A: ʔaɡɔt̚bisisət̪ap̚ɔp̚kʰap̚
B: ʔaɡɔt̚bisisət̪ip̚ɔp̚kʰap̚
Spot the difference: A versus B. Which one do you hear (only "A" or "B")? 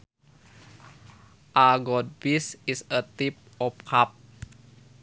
B